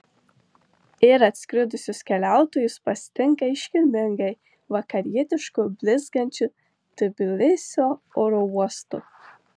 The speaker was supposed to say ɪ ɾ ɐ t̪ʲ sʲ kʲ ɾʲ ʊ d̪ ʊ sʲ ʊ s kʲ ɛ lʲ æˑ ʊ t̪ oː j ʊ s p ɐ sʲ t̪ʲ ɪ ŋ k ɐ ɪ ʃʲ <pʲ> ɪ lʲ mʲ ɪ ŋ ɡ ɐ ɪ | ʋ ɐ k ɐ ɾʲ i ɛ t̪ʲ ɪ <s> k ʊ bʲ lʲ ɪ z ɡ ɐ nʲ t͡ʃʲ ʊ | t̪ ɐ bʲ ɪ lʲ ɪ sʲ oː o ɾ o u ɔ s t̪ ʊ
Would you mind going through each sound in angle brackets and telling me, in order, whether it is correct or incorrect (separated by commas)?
incorrect, incorrect